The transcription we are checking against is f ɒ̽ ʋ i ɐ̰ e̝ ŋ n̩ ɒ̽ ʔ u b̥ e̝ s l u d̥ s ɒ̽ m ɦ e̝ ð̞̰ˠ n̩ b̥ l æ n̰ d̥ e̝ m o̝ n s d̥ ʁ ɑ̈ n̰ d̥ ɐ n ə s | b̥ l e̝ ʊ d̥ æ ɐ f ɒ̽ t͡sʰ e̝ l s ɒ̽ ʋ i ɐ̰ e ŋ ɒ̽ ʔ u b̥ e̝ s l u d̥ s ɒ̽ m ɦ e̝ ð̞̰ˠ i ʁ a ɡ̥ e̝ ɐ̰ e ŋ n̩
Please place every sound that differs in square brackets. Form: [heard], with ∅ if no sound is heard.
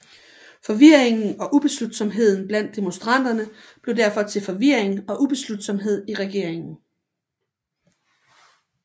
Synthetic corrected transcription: f ɒ̽ ʋ i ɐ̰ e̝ ŋ n̩ ɒ̽ ʔ u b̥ e̝ s l u d̥ s ɒ̽ m ɦ e̝ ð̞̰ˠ n̩ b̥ l æ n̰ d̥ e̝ m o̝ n s d̥ ʁ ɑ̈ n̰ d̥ ɐ n ə [∅] | b̥ l e̝ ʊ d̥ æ ɐ f ɒ̽ t͡sʰ e̝ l [f] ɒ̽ ʋ i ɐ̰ e ŋ ɒ̽ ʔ u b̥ e̝ s l u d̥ s ɒ̽ m ɦ e̝ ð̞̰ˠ i ʁ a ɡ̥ e̝ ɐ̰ e ŋ n̩